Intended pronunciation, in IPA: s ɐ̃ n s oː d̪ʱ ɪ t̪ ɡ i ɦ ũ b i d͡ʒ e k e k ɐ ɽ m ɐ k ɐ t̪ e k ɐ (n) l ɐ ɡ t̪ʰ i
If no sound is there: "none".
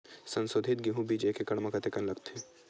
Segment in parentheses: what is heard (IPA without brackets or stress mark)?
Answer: n